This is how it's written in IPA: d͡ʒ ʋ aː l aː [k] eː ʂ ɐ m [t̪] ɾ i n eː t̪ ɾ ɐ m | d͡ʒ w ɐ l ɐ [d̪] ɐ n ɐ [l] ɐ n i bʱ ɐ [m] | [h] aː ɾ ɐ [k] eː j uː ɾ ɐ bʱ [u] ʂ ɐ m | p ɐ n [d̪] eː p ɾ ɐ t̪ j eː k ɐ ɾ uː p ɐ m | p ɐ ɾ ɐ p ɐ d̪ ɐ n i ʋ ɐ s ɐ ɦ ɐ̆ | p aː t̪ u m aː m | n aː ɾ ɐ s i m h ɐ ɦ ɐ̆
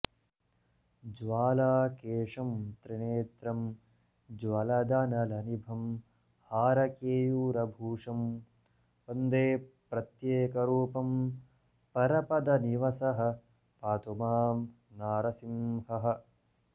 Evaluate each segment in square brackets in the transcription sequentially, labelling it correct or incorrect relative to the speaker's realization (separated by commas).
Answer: correct, correct, correct, correct, correct, correct, correct, incorrect, correct